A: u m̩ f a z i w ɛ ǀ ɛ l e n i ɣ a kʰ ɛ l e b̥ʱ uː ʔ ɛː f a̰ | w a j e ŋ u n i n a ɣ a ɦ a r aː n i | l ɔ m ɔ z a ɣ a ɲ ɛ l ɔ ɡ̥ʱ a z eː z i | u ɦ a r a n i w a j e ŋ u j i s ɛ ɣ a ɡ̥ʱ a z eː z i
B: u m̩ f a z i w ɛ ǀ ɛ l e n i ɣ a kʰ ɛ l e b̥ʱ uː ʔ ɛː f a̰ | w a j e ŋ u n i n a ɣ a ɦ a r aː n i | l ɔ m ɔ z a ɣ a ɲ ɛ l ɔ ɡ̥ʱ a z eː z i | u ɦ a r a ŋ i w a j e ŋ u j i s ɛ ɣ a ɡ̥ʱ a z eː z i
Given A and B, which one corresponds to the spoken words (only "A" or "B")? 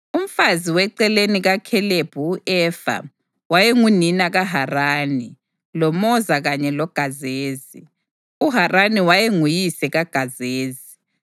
A